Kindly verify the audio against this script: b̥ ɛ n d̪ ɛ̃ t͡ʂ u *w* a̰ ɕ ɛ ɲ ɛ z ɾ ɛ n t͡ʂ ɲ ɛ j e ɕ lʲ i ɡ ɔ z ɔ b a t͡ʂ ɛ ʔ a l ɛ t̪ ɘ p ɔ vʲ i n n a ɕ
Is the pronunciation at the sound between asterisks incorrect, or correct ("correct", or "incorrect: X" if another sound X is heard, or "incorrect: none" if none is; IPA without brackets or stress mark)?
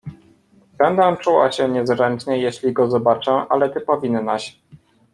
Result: correct